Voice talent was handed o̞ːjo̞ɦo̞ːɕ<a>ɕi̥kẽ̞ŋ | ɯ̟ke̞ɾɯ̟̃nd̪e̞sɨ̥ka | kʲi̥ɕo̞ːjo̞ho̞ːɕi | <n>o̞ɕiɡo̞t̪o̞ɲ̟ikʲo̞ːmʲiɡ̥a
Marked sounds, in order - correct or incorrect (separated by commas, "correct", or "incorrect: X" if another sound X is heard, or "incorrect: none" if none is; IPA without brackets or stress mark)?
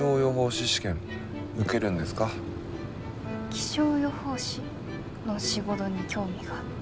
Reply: incorrect: i, correct